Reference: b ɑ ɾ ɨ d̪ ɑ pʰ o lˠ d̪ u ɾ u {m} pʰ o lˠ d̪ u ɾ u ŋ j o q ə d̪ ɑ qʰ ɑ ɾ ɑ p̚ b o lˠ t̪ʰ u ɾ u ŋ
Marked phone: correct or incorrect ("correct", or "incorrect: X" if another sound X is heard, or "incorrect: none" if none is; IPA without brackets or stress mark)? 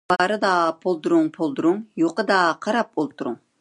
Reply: incorrect: ŋ